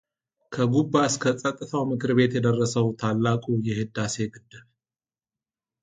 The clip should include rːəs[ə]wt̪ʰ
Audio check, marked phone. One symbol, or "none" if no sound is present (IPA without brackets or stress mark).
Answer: ə